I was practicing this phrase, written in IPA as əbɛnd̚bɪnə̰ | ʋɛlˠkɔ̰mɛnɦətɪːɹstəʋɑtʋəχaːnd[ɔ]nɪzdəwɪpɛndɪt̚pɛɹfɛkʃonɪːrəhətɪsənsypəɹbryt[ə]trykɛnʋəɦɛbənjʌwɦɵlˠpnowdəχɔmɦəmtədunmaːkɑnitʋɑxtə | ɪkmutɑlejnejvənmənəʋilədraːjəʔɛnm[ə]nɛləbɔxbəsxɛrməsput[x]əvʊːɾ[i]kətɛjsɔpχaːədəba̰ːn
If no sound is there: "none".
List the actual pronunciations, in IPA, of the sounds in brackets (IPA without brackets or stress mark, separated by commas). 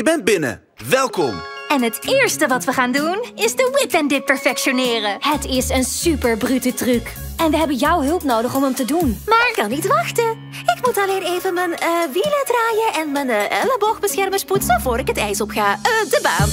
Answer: u, ə, ə, s, ɪ